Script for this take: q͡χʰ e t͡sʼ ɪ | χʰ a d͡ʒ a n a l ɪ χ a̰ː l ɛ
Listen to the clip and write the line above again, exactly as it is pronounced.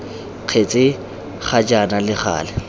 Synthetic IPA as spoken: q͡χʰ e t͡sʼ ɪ | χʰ a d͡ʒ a n a l ɪ χ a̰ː l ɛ